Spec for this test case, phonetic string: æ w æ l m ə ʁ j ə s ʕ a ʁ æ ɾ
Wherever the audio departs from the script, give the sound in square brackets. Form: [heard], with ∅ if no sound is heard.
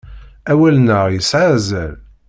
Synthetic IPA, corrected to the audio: æ w æ l [n] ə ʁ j ə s ʕ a [z] æ [l]